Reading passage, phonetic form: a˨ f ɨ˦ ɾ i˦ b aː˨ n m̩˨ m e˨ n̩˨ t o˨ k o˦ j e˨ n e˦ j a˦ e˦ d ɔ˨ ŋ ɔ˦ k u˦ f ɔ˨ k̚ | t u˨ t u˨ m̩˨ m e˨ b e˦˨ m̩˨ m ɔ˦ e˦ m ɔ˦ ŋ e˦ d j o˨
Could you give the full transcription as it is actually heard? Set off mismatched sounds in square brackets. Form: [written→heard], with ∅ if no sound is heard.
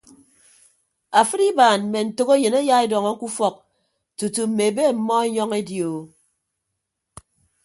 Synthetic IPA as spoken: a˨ f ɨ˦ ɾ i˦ b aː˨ n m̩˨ m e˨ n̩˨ t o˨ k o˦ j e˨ n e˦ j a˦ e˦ d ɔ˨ ŋ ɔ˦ k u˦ f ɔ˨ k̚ | t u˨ t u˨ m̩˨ m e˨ b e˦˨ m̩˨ m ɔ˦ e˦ [m→ɲ] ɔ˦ ŋ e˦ d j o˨